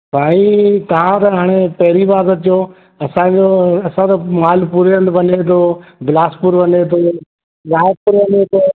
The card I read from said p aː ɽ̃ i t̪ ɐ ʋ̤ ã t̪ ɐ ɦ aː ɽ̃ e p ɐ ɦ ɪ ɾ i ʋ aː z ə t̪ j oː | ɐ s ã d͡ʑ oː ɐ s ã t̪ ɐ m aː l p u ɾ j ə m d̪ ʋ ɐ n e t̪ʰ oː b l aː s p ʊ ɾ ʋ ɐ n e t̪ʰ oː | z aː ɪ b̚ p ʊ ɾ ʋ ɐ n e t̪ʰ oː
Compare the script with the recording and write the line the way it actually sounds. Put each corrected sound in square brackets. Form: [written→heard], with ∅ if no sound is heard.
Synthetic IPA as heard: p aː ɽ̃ i t̪ ɐ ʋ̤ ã t̪ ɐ ɦ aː ɽ̃ e p ɐ ɦ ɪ ɾ i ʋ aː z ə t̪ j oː | ɐ s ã d͡ʑ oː ɐ s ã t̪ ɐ m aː l p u ɾ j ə [m→n] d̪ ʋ ɐ n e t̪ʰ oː b l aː s p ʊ ɾ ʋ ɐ n e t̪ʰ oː | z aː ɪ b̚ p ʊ ɾ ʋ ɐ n e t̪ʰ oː